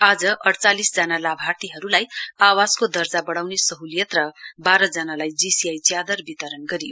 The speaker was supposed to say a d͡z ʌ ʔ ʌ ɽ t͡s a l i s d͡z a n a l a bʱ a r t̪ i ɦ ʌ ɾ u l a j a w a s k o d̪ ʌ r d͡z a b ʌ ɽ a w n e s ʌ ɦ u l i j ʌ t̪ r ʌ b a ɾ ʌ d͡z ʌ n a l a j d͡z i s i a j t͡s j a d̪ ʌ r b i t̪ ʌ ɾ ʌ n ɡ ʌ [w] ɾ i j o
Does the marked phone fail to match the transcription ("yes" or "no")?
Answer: yes